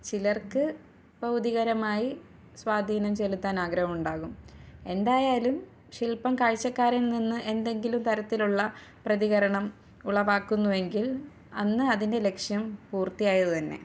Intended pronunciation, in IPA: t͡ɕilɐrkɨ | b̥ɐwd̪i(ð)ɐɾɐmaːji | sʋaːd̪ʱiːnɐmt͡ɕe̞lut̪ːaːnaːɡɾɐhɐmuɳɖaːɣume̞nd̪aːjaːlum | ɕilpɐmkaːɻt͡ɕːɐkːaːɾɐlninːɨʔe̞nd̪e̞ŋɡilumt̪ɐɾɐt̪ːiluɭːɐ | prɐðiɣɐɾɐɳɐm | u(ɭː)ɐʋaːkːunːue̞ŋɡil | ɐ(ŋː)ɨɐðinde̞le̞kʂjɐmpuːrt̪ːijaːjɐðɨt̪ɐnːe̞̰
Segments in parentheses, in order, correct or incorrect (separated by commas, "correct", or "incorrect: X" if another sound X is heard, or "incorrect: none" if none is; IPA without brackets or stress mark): incorrect: ɣ, incorrect: ɭ, incorrect: nː